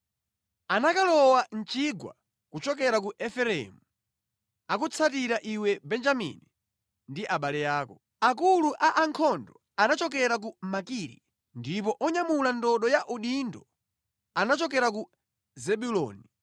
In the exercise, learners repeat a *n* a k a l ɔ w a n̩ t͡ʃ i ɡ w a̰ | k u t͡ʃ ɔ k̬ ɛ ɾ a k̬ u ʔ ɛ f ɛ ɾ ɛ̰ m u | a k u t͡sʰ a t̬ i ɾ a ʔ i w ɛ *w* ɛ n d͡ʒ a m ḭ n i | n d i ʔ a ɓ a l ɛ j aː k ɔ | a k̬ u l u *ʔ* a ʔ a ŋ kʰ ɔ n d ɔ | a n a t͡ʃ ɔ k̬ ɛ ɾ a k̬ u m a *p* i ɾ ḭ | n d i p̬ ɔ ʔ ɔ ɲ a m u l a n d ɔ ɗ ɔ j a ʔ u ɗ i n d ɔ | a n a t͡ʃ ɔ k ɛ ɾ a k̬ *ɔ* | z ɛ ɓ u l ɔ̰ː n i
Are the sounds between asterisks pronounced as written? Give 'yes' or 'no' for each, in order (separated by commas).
yes, no, yes, no, no